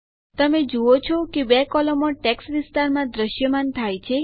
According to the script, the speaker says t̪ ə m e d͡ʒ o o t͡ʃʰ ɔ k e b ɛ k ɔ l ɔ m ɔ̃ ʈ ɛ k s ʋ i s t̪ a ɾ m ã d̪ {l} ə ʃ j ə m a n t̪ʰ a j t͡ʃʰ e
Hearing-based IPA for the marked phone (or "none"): ɾ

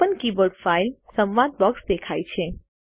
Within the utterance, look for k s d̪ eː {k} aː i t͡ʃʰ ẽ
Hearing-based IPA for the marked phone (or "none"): kʰ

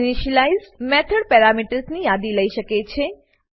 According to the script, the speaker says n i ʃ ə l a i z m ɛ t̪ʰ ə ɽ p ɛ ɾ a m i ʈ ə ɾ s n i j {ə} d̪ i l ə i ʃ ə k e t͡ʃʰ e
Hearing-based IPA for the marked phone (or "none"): a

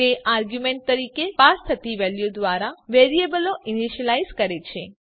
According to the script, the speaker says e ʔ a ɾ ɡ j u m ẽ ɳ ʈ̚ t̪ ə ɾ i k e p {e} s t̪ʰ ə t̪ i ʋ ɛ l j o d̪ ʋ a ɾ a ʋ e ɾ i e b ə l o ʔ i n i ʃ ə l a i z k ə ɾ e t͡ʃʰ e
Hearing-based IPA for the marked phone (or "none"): a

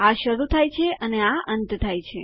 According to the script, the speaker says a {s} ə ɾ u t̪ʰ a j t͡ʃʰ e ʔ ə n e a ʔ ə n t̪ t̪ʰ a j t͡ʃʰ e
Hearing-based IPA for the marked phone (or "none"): ʃ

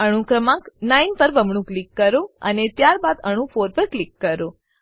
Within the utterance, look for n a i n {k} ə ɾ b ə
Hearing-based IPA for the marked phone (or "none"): p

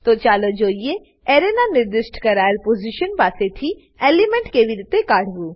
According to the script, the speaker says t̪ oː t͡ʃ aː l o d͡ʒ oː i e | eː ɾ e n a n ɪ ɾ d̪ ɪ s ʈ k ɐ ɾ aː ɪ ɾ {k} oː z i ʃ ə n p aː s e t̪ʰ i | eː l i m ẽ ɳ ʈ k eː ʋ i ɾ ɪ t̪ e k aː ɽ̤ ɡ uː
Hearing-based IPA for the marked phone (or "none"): p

